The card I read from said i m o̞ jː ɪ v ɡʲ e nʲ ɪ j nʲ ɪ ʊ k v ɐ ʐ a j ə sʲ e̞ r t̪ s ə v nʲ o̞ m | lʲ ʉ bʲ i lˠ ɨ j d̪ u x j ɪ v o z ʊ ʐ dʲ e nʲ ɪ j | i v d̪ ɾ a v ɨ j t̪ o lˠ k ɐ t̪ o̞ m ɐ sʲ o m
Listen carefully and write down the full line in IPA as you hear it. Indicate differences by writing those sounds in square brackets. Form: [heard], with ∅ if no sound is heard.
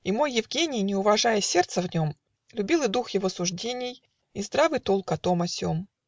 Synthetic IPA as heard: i m o̞ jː ɪ v ɡʲ e nʲ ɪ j nʲ ɪ ʊ [∅] v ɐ ʐ a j ə sʲ e̞ r t̪ s ə v nʲ o̞ m | lʲ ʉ bʲ i lˠ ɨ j d̪ u x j ɪ v o [s] ʊ ʐ dʲ e nʲ ɪ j | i [z] d̪ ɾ a v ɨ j t̪ o lˠ k ɐ t̪ o̞ m ɐ sʲ o m